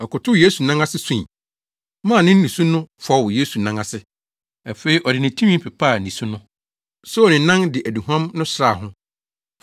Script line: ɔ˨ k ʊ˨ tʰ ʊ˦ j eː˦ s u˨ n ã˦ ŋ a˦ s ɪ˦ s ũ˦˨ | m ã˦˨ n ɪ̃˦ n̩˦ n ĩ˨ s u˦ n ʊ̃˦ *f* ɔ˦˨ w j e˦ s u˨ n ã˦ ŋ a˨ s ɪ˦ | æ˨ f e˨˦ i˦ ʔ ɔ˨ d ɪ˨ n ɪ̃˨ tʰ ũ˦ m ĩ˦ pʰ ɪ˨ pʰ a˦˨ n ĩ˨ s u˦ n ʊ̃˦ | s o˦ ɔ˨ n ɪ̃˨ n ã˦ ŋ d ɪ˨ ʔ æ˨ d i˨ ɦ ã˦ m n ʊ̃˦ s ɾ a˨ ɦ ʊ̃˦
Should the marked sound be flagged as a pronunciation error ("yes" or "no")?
no